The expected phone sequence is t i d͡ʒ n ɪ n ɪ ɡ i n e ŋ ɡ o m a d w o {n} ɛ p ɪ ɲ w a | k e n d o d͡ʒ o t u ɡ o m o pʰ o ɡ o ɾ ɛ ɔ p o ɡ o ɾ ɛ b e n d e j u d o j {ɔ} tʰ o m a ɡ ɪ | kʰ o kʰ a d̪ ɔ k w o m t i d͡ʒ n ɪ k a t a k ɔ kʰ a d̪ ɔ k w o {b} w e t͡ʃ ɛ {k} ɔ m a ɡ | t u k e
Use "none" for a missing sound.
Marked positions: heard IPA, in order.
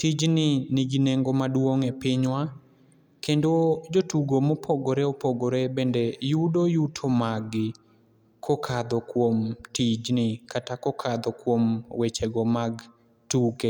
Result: ŋ, u, m, ɡ

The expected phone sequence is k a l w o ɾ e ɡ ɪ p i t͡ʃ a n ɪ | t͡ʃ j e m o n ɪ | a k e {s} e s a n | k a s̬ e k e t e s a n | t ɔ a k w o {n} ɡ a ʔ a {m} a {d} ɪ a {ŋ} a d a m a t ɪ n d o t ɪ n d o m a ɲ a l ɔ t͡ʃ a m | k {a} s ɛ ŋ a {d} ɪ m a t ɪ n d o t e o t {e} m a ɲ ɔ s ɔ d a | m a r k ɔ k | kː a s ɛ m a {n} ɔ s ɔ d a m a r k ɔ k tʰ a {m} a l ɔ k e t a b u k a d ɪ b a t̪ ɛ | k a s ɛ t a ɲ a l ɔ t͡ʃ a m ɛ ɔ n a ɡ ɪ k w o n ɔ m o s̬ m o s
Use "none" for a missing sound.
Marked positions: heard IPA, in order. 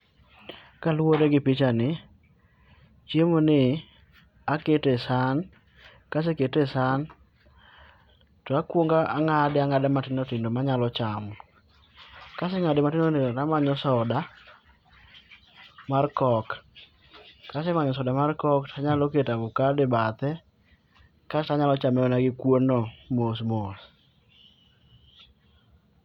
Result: t, ŋ, ŋ, d, ŋ, a, d, a, ɲ, ɲ

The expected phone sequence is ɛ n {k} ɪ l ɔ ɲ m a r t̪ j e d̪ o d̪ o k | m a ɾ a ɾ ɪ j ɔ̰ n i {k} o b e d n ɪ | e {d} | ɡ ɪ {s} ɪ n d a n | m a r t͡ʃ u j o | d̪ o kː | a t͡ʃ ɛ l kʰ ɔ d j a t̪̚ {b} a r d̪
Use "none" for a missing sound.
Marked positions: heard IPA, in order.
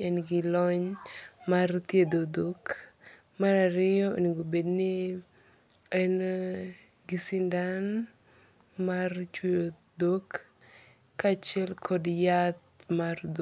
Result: ɡ, ɡ, n, s, m

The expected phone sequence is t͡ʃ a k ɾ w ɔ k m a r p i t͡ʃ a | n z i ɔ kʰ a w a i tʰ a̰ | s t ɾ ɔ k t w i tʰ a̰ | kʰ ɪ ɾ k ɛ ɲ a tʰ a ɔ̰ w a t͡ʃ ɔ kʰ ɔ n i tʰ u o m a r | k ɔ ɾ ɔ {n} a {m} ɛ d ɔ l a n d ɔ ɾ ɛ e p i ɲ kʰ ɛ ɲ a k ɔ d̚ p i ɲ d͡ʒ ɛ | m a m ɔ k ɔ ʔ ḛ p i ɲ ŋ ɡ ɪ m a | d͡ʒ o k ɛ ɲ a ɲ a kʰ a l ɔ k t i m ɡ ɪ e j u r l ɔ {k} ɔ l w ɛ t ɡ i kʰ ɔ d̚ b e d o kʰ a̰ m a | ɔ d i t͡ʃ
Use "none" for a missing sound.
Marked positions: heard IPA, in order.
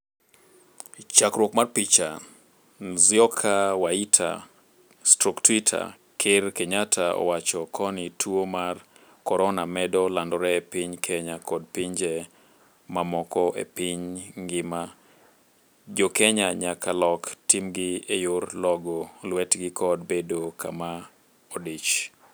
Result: n, m, ɡ

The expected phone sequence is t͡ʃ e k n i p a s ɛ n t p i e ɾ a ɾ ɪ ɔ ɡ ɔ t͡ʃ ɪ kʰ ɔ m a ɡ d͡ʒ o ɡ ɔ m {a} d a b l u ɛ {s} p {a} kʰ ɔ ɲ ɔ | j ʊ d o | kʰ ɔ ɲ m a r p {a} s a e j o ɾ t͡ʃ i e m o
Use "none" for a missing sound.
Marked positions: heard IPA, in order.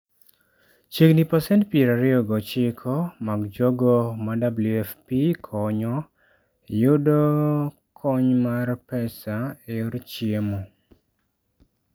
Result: a, f, i, ɛ

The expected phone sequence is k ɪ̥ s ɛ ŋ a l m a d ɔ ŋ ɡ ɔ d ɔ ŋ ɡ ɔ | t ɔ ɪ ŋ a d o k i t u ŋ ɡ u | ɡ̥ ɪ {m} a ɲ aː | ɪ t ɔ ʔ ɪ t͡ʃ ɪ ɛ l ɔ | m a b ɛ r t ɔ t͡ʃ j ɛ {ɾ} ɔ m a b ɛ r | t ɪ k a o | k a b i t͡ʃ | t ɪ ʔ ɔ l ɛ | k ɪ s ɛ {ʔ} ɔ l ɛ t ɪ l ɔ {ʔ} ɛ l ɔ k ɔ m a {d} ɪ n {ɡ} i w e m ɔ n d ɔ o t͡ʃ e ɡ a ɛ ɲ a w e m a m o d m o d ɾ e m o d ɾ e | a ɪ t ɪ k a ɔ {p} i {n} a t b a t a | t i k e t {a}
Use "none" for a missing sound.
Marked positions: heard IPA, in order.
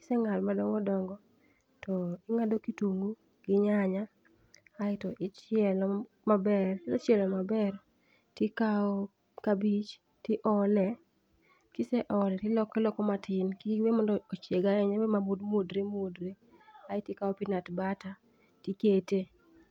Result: ɲ, l, ʔ, k, t, k, p, n, e

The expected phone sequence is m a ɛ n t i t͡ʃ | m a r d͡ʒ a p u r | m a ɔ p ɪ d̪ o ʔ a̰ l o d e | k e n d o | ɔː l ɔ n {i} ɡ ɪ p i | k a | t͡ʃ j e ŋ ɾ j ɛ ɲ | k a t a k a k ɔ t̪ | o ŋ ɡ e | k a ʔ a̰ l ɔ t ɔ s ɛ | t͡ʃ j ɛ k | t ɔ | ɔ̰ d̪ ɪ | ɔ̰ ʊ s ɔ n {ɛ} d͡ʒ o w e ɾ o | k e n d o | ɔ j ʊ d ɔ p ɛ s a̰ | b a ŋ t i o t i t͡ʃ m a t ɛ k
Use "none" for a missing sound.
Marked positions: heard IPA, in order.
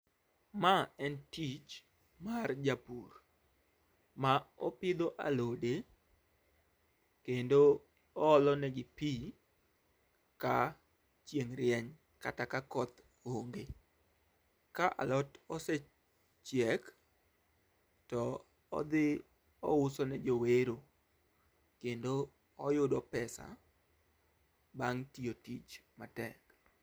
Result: ɛ, ɛ

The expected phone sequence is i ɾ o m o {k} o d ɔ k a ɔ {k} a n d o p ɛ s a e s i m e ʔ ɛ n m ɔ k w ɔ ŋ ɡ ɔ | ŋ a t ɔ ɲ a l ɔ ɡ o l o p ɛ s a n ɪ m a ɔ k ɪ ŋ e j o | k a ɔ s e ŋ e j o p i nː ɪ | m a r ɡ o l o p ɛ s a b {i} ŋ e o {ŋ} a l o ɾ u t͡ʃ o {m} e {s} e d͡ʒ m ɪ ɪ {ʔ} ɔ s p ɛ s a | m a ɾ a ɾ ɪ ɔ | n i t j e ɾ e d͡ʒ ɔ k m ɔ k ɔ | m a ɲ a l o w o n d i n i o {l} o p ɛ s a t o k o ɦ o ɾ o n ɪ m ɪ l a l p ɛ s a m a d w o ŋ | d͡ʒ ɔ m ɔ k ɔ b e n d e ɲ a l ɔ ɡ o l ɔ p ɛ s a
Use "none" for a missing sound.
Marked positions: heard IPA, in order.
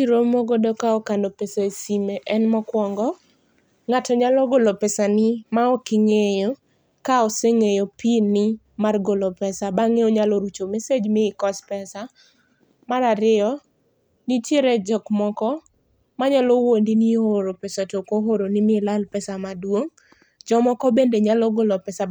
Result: ɡ, k, a, ɲ, m, s, k, ɾ

